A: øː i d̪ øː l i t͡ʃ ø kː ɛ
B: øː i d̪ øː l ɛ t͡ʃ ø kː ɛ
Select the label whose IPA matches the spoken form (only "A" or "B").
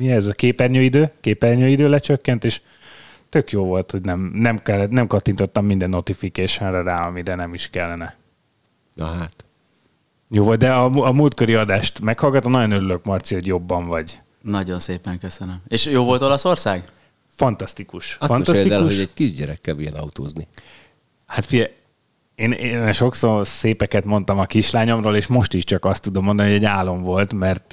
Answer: B